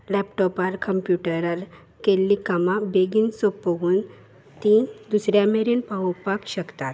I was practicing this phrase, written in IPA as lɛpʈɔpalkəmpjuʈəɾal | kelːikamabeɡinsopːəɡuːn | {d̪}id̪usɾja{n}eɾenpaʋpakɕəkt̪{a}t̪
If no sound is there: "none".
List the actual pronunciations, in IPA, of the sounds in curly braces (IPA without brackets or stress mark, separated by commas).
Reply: t̪, m, a